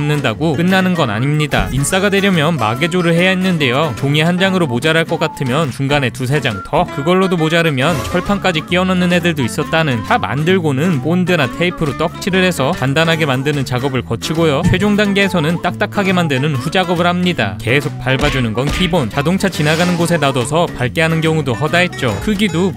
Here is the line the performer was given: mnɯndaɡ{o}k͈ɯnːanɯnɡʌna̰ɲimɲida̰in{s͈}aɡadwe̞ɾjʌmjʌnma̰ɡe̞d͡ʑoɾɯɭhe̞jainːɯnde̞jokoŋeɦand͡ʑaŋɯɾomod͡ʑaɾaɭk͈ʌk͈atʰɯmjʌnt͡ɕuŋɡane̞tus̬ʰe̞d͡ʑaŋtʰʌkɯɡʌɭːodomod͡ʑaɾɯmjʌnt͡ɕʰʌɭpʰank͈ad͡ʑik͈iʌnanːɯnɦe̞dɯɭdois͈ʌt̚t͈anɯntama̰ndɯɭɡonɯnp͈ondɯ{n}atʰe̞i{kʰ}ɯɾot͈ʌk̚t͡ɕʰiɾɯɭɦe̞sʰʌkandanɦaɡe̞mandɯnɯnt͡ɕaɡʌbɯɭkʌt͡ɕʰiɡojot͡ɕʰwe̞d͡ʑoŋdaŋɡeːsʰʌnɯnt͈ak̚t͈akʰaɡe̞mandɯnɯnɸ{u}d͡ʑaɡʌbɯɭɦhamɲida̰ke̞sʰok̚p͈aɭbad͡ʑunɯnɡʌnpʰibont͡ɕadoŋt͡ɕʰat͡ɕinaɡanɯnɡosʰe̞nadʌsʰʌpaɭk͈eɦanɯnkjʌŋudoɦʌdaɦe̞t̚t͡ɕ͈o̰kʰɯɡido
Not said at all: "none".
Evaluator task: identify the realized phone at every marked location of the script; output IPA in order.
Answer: o, s͈, n, pʰ, u

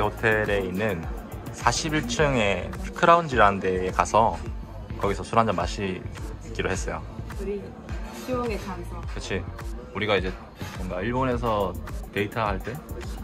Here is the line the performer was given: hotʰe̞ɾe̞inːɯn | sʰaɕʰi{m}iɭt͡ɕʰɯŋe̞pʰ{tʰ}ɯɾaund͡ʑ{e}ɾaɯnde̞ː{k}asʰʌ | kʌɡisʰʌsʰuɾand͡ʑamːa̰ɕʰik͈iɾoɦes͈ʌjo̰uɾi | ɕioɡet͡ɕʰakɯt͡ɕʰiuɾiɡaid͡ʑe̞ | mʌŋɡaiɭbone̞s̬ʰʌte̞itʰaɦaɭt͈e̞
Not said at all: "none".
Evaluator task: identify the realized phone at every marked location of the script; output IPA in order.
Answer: b, kʰ, i, k

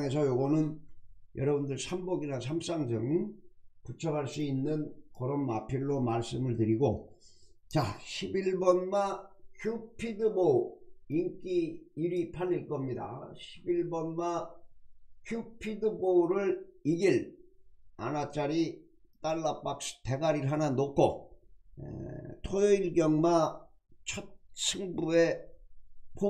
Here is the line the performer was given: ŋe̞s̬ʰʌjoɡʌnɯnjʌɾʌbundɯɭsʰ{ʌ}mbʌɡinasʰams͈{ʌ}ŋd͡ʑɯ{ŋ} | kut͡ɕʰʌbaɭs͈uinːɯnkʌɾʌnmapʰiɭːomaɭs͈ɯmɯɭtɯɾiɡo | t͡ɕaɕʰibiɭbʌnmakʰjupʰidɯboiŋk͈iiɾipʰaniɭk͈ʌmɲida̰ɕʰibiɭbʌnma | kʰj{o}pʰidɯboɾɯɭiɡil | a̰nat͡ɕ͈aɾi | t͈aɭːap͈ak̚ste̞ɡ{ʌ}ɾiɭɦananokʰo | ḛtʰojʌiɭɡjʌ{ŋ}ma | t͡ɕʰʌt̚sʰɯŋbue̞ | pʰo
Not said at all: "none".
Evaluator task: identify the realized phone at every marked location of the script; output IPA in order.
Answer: a, a, ŋ, u, a, ŋ

